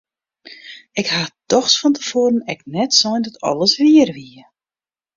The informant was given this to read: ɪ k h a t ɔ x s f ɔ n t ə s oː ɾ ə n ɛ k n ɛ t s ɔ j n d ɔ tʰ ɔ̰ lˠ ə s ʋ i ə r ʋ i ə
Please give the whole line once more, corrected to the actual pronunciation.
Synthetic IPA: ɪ k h a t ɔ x s f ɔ n t ə f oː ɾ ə n ɛ k n ɛ t s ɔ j n d ɔ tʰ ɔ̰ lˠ ə s ʋ i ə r ʋ i ə